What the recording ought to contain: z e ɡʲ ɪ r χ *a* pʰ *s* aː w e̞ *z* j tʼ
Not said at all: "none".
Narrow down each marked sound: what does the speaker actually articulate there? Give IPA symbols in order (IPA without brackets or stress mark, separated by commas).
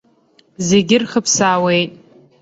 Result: ə, s, none